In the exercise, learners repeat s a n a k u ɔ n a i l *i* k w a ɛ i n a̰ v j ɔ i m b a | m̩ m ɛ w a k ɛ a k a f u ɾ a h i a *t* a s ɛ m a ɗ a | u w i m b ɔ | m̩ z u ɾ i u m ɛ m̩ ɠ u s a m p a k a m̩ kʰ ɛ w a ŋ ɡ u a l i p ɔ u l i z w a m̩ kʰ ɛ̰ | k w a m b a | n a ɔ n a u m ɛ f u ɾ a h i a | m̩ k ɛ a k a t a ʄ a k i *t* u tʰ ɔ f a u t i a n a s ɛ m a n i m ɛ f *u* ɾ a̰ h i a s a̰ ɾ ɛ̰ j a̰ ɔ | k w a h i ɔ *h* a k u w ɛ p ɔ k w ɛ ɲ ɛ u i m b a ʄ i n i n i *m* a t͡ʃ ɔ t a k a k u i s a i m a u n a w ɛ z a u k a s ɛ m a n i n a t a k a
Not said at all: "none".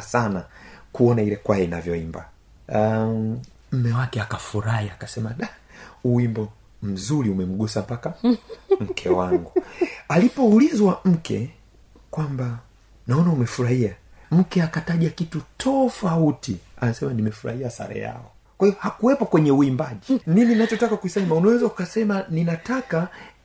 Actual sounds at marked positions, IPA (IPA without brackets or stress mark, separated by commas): ɛ, k, t, u, h, n